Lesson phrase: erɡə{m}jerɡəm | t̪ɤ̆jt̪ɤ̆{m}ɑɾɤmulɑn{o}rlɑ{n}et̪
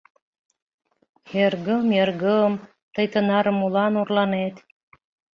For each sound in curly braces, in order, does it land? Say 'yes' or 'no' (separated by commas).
yes, no, no, yes